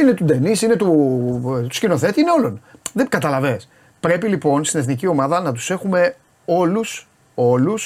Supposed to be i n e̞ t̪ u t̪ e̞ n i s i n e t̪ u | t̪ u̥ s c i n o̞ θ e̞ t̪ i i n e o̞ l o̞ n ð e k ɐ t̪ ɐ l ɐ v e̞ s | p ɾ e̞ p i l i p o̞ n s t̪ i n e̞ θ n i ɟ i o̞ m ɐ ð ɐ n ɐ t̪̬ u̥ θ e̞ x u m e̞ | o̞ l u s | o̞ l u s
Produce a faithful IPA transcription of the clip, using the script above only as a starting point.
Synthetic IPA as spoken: i n e̞ t̪ u d̪ e̞ n i s i n e t̪ u | t̪ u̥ s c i n o̞ θ e̞ t̪ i i n e o̞ l o̞ n ð e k ɐ t̪ ɐ l ɐ v e̞ s | p ɾ e̞ p i l i p o̞ n s t̪ i n e̞ θ n i c i o̞ m ɐ ð ɐ n ɐ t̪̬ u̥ s e̞ x u m e̞ | o̞ l u s | o̞ l u s